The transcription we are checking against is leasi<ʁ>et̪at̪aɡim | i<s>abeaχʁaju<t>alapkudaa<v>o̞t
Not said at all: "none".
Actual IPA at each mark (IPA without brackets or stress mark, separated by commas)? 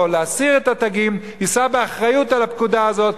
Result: ʁ, s, t, z